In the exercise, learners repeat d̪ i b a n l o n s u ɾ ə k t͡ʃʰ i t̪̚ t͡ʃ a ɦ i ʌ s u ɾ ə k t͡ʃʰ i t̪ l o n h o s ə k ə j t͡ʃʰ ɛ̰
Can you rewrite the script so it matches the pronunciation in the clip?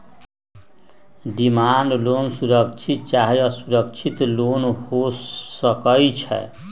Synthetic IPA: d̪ i m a n l o n s u ɾ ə k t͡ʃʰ i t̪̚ t͡ʃ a ɦ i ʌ s u ɾ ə k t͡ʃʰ i t̪ l o n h o s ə k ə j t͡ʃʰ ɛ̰